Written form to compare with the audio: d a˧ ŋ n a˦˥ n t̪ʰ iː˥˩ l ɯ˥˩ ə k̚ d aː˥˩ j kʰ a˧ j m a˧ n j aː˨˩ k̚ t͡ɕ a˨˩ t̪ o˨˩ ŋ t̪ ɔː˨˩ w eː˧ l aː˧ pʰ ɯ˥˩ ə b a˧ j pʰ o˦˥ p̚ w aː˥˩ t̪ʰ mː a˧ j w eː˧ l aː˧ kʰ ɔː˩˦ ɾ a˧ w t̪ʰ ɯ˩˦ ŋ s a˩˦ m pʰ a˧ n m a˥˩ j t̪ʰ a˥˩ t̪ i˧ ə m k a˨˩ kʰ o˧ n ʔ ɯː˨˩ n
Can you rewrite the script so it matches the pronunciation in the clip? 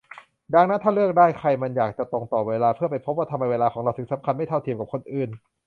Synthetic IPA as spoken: d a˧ ŋ n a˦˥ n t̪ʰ aː˥˩ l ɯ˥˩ ə k̚ d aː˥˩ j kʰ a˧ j m a˧ n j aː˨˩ k̚ t͡ɕ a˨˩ t̪ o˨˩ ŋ t̪ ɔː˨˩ w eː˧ l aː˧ pʰ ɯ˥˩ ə p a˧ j pʰ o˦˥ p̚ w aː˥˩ t̪ʰ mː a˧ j w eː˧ l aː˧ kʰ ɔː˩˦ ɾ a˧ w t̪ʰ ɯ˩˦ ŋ s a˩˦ m kʰ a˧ n m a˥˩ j t̪ʰ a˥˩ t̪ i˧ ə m k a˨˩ kʰ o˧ n ʔ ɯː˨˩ n